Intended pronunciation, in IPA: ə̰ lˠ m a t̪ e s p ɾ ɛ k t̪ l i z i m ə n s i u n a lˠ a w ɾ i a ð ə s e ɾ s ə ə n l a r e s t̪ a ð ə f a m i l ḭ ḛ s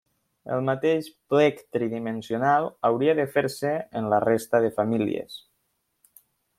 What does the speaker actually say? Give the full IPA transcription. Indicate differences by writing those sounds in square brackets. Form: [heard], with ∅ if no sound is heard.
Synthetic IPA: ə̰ lˠ m a t̪ e [ʃ] p [l] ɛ k t̪ [ɾ] i [ð] i m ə n s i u n a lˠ a w ɾ i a ð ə [f] e ɾ s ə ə n l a r e s t̪ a ð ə f a m i l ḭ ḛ s